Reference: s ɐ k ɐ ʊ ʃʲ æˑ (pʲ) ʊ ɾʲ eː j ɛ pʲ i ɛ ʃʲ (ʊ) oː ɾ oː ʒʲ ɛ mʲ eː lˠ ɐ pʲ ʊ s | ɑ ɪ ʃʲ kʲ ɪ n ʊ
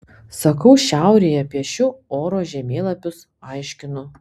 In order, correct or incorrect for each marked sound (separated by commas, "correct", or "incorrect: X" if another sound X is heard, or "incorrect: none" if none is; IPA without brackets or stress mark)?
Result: incorrect: none, correct